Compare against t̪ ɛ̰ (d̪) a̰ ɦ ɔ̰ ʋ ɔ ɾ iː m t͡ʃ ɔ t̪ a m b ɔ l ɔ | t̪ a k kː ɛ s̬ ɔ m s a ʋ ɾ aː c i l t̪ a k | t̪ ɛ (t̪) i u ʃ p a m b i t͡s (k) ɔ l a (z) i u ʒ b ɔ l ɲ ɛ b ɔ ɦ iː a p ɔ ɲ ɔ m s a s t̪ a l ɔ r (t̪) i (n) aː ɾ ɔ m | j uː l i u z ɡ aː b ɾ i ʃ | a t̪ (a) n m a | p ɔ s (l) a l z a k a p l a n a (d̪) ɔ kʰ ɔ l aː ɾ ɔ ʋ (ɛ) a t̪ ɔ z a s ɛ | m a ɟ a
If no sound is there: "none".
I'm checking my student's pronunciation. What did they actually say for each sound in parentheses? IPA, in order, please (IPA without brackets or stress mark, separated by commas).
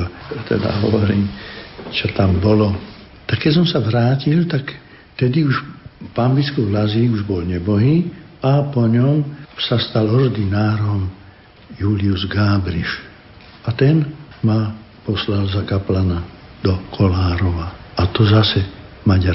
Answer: d̪, d̪, k, z, d̪, n, ɛ, l, d̪, a